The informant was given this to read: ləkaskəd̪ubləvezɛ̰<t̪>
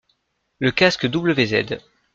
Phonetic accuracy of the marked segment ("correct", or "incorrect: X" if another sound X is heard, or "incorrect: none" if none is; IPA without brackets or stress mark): incorrect: d̪